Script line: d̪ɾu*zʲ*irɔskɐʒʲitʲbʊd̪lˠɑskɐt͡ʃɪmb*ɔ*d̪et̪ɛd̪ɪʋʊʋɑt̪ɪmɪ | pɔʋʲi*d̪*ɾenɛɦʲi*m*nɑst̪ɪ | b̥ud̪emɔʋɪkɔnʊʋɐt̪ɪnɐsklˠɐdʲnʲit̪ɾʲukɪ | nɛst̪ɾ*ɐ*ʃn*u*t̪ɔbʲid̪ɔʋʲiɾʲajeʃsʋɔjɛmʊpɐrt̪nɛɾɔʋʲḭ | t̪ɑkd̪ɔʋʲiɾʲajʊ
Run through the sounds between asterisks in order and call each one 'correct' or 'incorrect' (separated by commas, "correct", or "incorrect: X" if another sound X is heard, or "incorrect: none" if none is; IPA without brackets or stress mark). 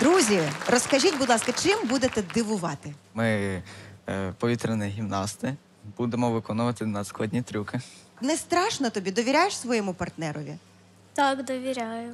correct, incorrect: u, incorrect: t̪, correct, incorrect: ɑ, incorrect: ɔ